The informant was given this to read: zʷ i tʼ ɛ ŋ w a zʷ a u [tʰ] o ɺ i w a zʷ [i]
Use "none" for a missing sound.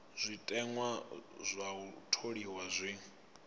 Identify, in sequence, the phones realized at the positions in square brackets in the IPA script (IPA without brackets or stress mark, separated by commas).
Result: tʰ, i